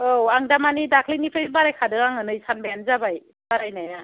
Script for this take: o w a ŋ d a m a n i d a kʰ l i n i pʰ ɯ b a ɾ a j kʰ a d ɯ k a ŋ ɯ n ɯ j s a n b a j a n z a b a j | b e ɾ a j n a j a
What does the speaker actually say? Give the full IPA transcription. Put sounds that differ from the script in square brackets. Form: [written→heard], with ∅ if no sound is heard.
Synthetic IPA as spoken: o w a ŋ d a m a n i d a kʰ l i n i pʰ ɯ b a ɾ a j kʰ a d ɯ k a ŋ ɯ n ɯ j s a n b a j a n z a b a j | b [e→a] ɾ a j n a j a